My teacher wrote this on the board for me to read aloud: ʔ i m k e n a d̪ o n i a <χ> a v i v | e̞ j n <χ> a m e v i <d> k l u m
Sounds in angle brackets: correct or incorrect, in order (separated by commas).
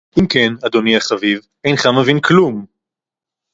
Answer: correct, correct, incorrect